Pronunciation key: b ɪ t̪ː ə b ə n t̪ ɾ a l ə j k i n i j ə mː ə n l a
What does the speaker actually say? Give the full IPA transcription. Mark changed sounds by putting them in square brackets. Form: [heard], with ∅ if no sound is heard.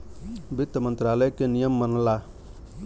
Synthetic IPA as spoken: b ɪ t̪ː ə [m] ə n t̪ ɾ a l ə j k [e] n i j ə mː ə n l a